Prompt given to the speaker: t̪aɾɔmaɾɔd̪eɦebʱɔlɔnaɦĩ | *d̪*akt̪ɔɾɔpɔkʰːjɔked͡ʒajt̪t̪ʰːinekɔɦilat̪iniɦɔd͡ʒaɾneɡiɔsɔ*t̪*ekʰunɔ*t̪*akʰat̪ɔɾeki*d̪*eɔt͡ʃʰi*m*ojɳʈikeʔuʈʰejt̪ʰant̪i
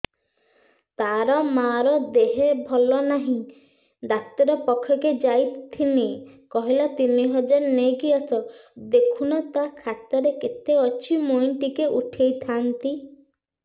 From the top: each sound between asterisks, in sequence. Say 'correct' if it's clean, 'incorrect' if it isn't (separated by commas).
correct, incorrect, correct, incorrect, correct